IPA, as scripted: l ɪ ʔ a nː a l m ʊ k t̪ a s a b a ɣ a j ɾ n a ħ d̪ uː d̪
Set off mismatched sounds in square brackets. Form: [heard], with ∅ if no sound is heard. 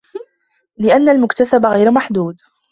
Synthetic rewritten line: l ɪ ʔ a nː a l m ʊ k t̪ a s a b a ɣ a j ɾ [m] a ħ d̪ uː d̪